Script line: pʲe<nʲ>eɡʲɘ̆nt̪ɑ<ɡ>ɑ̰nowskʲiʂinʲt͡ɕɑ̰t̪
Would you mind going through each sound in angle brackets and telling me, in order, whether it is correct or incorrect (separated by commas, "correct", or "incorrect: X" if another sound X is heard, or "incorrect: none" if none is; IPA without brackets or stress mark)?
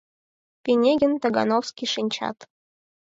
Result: correct, correct